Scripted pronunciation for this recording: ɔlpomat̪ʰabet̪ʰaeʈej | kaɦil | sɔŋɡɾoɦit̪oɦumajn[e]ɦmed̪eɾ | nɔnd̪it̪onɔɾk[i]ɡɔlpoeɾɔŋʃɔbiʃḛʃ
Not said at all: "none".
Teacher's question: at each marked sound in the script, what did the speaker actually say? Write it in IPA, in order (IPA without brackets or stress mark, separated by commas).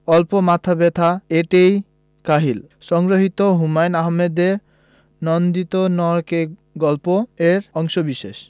a, e